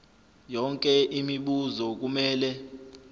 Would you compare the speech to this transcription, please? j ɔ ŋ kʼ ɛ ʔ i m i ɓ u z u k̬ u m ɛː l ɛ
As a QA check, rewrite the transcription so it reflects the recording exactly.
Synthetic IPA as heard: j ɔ ŋ kʼ ɛ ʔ i m i ɓ u z ɔ k̬ u m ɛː l ɛ